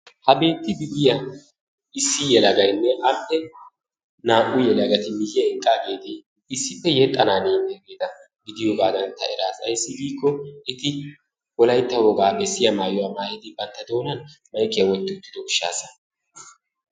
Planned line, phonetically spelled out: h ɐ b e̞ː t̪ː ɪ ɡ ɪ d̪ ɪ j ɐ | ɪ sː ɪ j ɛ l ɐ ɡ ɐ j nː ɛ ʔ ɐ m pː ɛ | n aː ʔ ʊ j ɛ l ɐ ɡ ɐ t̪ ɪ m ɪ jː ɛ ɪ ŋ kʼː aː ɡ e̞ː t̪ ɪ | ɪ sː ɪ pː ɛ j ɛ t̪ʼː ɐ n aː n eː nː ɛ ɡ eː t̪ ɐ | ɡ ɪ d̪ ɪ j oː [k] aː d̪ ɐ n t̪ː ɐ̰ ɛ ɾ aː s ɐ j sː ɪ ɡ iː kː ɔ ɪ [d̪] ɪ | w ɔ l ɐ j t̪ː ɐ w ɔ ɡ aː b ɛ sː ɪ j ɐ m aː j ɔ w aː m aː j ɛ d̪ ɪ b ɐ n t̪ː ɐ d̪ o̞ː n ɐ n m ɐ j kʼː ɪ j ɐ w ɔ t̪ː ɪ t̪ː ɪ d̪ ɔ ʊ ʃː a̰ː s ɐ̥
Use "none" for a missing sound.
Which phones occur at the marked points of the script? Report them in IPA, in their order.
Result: ɡ, t̪

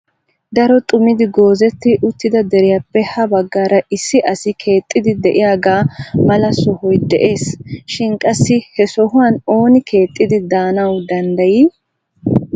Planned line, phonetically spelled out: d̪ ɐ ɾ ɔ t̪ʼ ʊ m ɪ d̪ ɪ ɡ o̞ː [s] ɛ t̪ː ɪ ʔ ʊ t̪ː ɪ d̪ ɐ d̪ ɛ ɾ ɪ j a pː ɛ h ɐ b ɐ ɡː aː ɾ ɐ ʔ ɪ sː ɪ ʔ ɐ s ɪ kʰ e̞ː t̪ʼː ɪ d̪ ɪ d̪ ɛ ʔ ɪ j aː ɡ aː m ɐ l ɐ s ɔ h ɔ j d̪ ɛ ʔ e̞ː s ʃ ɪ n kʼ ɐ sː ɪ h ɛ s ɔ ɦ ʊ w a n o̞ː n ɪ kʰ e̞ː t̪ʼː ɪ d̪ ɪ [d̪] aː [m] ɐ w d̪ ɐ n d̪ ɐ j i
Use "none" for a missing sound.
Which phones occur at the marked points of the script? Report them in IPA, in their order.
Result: z, d̪, n

